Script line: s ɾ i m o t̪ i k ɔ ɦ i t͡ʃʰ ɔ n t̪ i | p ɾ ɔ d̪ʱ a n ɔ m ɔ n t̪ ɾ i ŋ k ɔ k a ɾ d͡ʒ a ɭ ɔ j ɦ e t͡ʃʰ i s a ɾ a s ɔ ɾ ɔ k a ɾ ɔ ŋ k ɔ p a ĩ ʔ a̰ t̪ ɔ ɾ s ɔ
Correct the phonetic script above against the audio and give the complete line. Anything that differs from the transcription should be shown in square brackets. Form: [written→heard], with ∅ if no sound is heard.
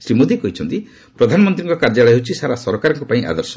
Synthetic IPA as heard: s ɾ i m o [t̪→d̪] i k ɔ ɦ i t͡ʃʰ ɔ n t̪ i | p ɾ ɔ d̪ʱ a n ɔ m ɔ n t̪ ɾ i ŋ k ɔ k a ɾ d͡ʒ a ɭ ɔ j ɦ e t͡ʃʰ i s a ɾ a s ɔ ɾ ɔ k a ɾ ɔ ŋ k ɔ p a ĩ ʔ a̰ [t̪→d̪] ɔ ɾ s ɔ